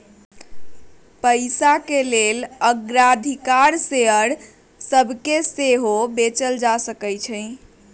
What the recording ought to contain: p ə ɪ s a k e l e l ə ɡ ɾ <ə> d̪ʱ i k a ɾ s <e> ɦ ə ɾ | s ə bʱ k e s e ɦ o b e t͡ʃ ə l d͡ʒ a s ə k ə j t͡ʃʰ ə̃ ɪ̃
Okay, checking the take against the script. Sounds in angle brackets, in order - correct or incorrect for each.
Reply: incorrect: a, correct

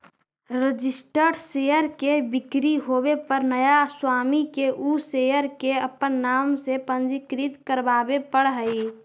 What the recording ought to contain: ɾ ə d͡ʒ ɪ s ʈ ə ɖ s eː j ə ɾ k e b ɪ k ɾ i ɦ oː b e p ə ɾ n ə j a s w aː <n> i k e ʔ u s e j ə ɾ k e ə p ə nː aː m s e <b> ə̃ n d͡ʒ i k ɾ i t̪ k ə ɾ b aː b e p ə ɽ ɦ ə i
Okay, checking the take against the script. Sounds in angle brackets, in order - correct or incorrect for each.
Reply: incorrect: m, incorrect: p

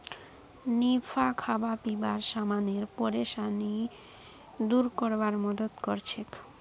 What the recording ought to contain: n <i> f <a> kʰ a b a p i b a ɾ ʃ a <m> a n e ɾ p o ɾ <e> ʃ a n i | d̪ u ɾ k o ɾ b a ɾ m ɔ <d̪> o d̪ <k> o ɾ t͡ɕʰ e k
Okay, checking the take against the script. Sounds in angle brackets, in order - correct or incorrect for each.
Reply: correct, correct, correct, correct, correct, correct

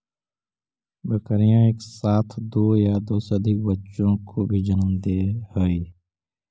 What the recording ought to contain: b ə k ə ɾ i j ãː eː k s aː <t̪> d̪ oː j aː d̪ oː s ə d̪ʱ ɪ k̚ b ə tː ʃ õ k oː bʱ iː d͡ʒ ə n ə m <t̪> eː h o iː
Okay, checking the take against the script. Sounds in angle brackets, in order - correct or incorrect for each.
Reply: incorrect: t̪ʰ, incorrect: d̪

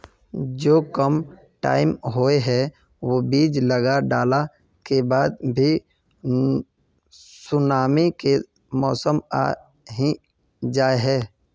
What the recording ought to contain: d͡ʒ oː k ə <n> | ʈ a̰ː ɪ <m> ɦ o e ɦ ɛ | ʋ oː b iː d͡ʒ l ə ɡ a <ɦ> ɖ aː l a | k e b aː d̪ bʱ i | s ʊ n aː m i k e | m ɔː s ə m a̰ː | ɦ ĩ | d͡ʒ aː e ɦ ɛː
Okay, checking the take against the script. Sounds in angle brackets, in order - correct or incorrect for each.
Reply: incorrect: m, correct, incorrect: none

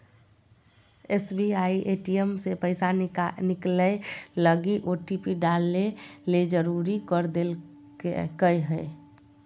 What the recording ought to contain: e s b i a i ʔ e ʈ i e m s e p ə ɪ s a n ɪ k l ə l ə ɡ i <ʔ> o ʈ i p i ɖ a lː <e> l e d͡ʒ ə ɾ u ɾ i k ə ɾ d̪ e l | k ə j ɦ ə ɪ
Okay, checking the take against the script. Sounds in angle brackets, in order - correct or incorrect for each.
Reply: correct, correct

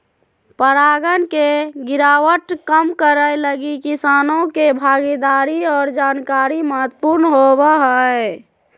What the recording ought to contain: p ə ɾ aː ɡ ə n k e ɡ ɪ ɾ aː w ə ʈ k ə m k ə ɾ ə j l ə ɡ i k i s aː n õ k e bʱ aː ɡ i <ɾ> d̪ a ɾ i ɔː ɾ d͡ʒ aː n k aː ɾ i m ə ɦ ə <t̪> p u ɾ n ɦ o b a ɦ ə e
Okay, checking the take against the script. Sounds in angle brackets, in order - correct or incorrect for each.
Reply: incorrect: none, correct

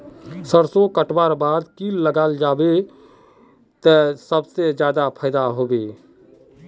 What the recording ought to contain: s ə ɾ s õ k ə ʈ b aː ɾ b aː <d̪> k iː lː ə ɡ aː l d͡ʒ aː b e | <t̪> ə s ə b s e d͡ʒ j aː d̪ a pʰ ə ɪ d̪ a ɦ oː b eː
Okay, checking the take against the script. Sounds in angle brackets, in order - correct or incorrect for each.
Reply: correct, correct

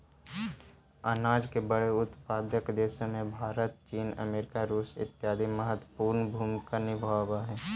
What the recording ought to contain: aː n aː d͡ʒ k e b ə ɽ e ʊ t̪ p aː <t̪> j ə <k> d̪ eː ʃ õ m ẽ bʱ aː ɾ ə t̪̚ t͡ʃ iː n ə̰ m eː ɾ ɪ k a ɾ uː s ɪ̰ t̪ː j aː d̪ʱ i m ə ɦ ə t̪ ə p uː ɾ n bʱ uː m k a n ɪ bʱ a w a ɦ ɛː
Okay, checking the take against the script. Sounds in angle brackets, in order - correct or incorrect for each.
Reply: incorrect: d̪, correct

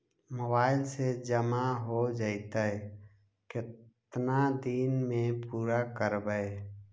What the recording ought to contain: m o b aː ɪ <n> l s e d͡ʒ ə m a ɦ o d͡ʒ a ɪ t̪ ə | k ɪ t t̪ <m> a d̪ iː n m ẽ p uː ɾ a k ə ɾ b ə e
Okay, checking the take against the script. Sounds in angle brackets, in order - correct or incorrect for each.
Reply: incorrect: none, incorrect: n

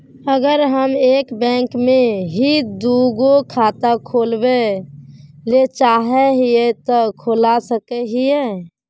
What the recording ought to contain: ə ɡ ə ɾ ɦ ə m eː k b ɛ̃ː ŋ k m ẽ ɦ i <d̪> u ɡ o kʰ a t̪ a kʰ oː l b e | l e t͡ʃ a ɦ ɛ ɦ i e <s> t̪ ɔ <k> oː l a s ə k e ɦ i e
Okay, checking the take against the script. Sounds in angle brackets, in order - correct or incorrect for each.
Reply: correct, incorrect: none, incorrect: kʰ

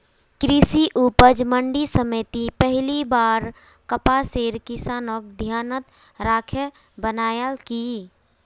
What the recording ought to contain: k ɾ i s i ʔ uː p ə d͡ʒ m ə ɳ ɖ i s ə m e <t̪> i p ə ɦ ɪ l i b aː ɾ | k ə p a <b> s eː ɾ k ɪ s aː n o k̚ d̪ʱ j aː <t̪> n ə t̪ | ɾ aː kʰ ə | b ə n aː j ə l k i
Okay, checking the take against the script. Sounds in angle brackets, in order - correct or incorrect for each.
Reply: correct, incorrect: none, incorrect: none

